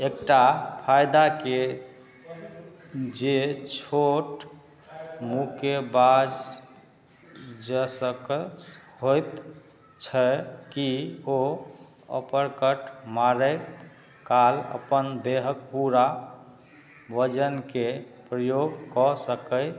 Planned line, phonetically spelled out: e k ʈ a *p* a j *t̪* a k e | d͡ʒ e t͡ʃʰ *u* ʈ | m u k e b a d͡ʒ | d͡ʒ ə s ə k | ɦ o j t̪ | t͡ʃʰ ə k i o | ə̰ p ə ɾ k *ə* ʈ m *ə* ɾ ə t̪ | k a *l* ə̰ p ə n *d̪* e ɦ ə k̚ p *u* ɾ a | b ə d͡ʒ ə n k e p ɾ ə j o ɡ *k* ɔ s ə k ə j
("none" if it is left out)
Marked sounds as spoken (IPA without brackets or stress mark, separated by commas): pʰ, d̪, o, ə, a, l, d̪, u, k